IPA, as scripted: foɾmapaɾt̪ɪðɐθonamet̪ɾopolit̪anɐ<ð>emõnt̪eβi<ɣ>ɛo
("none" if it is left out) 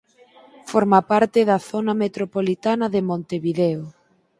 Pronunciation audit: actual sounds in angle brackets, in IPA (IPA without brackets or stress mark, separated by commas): ð, ð